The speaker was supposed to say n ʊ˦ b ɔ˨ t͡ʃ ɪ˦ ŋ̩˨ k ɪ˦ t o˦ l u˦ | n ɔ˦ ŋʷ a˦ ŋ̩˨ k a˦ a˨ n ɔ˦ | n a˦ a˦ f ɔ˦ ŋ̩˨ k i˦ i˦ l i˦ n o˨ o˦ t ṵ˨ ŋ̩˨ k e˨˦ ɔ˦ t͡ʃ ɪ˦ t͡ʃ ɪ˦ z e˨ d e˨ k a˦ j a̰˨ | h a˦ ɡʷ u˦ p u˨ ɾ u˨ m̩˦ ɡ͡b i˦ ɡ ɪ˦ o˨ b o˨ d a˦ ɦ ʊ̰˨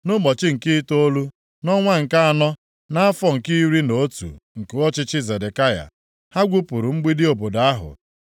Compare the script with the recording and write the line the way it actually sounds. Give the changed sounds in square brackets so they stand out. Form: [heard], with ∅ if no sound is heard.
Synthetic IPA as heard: n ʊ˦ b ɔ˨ t͡ʃ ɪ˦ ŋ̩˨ k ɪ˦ t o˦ l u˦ | n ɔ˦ ŋʷ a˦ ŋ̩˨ k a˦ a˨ n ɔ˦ | n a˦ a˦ f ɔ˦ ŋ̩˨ k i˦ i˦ [ɾ] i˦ n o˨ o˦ t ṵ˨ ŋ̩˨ k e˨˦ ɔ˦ t͡ʃ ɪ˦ t͡ʃ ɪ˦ z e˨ d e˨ k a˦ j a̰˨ | h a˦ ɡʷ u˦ p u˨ ɾ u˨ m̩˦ ɡ͡b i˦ [d] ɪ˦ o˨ b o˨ d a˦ ɦ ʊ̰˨